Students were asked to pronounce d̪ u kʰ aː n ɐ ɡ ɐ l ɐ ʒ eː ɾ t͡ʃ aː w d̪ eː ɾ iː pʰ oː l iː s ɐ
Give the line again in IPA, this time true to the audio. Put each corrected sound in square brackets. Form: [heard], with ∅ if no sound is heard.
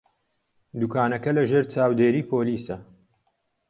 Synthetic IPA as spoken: d̪ u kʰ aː n ɐ [k] ɐ l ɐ ʒ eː ɾ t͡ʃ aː w d̪ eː ɾ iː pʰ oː l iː s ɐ